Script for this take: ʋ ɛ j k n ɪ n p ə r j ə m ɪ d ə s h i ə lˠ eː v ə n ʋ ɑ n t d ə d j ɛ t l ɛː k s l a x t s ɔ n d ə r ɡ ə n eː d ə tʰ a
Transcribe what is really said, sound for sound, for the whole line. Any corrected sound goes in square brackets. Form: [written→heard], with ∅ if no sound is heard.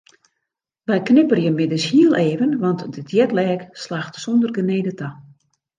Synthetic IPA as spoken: ʋ ɛ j k n ɪ [n→∅] p ə r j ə m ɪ d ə s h i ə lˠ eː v ə n ʋ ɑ n t d ə d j ɛ t l ɛː k s l a x t s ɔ n d ə r ɡ ə n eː d ə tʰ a